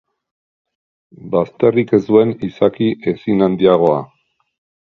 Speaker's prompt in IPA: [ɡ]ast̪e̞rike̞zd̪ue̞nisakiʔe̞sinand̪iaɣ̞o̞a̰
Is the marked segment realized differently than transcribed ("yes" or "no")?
yes